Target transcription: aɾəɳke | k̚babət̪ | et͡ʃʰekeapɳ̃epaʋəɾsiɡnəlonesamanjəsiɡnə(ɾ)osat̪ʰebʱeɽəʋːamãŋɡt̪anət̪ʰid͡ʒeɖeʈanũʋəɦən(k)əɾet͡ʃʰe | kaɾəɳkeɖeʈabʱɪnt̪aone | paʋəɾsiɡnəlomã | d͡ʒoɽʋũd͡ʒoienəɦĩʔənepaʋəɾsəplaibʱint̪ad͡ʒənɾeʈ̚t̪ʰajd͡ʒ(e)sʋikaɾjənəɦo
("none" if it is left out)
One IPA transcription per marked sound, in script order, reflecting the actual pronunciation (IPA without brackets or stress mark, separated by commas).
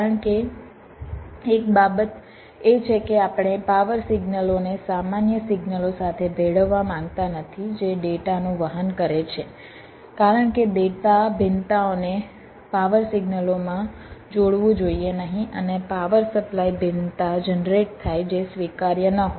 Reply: l, k, e